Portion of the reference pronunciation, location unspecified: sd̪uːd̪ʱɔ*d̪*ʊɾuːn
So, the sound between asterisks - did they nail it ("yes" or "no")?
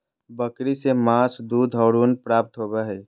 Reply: no